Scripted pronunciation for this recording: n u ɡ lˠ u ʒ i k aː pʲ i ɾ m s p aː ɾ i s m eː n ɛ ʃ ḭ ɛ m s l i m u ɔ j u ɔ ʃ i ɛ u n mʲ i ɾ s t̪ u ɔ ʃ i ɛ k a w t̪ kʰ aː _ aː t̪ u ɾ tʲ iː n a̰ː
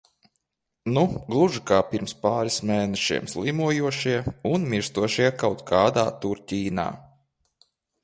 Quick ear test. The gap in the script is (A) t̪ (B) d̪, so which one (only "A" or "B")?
B